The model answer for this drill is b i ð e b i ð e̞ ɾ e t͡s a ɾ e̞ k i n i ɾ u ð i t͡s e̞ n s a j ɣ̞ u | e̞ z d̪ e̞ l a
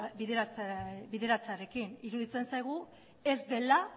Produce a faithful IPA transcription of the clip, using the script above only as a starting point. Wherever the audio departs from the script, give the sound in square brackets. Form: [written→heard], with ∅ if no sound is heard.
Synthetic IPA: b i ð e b i ð e̞ ɾ [e→a] t͡s a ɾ e̞ k i n i ɾ u ð i t͡s e̞ n s a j ɣ̞ u | e̞ z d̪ e̞ l a